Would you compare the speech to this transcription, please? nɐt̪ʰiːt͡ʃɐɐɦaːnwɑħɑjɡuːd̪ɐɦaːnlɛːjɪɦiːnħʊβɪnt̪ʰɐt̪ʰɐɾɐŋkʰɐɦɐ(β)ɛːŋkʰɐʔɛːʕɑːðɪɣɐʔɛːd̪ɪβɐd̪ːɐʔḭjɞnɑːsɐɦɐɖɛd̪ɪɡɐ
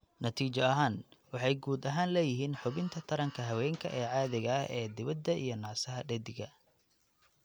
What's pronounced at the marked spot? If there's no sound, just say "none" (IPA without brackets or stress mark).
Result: w